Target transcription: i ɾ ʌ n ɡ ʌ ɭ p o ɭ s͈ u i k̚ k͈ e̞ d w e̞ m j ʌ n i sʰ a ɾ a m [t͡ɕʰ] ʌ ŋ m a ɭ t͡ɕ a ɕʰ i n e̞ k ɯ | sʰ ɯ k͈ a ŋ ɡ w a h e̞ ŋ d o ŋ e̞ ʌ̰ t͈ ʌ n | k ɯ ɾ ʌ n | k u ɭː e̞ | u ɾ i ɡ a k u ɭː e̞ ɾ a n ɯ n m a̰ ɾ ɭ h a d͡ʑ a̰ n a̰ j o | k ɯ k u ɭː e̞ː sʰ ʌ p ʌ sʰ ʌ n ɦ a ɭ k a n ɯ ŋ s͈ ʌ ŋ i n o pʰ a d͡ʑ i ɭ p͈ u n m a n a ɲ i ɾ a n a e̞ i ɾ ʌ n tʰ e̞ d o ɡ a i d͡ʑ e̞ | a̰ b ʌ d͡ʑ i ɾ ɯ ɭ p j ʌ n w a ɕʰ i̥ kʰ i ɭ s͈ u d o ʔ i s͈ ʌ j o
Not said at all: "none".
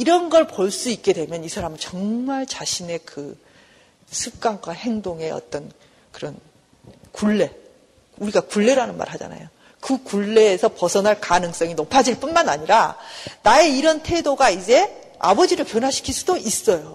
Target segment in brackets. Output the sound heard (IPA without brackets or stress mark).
t͡ɕ